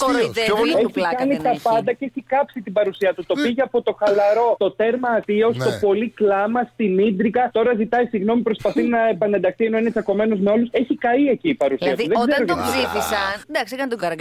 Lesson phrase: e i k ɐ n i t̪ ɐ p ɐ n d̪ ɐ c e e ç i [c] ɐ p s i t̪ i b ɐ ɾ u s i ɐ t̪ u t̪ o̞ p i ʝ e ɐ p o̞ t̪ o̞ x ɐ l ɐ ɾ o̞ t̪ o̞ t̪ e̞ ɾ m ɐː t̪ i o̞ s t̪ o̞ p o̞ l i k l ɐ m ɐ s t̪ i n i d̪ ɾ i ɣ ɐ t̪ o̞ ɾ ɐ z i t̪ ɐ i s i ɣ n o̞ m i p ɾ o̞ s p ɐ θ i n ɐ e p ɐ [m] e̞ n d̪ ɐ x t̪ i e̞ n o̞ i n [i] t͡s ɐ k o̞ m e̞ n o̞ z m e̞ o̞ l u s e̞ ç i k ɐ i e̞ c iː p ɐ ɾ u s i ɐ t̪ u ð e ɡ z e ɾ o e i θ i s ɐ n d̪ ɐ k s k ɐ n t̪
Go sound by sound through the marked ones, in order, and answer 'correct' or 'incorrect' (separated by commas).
incorrect, incorrect, incorrect